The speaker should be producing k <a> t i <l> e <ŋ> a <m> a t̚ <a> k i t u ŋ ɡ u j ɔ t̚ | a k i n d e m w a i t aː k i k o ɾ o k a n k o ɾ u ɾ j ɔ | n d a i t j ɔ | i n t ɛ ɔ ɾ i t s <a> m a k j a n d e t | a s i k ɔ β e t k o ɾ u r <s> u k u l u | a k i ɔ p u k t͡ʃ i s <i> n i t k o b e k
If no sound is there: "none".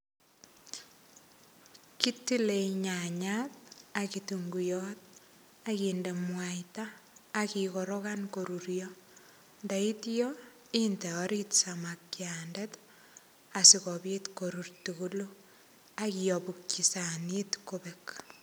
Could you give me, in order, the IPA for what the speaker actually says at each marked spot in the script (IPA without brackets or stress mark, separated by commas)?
i, l, ɲ, ɲ, a, a, t, a